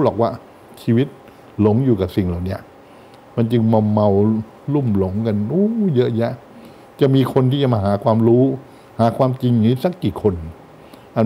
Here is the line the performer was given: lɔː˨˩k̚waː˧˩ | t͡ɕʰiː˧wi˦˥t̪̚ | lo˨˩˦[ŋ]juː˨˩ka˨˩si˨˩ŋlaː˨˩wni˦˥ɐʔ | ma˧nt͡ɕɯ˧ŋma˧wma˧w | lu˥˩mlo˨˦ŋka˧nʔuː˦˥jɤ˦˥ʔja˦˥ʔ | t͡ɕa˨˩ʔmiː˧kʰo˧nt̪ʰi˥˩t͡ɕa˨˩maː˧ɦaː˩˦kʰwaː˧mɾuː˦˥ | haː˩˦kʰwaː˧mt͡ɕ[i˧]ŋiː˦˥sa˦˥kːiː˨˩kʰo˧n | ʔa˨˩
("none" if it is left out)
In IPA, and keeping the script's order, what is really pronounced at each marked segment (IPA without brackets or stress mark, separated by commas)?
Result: ŋ, i˧